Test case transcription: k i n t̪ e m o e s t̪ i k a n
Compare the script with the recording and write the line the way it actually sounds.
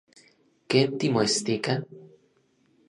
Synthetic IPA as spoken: k e n t̪ i m o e s t̪ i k a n